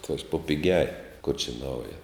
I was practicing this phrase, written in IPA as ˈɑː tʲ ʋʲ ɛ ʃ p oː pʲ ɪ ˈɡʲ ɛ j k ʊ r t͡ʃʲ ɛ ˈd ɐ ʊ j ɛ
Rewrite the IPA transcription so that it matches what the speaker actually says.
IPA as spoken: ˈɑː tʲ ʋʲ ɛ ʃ p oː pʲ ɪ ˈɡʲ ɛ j k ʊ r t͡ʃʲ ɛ ˈn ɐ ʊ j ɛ